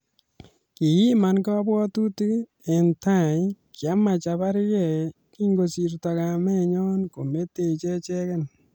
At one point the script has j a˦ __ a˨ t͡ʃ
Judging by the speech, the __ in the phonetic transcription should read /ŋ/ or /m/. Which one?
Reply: m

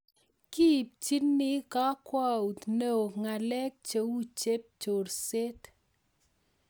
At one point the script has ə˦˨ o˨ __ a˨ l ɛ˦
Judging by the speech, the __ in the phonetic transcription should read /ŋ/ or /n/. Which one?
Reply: ŋ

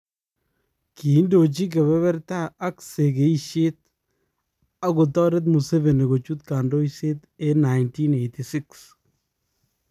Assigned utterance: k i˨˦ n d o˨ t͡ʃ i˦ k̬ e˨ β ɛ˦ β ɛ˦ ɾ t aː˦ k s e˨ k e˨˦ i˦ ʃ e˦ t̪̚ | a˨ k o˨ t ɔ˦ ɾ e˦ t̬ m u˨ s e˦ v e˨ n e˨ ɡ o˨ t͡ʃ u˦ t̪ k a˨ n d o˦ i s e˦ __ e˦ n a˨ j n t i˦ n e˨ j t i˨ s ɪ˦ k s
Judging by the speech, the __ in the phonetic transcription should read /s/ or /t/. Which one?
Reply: t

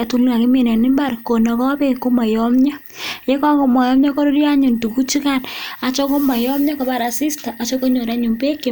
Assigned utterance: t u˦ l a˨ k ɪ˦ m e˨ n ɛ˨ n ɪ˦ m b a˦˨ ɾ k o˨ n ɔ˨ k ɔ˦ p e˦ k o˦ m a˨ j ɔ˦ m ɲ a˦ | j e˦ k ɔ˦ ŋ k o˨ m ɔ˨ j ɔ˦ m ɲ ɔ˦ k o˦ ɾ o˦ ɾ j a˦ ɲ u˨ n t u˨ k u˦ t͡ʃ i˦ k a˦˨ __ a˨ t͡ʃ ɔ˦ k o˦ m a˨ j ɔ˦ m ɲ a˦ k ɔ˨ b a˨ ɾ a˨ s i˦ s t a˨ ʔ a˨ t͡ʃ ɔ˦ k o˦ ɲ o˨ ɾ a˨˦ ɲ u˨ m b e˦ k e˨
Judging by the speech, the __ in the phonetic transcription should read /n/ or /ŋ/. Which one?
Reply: n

